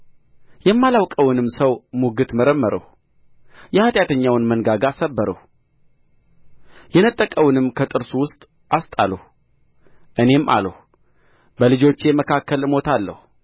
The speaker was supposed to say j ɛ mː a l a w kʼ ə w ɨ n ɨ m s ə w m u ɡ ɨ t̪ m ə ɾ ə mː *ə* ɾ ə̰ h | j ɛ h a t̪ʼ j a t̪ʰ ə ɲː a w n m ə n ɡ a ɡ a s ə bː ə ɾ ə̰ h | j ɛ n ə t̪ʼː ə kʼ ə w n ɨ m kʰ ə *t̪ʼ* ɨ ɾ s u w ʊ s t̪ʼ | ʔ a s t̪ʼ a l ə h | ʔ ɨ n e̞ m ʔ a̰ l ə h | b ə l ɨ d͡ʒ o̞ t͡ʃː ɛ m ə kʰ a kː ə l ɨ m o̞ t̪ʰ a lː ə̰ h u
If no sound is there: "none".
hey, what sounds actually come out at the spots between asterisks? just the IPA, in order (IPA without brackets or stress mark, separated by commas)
ə, t̪ʼ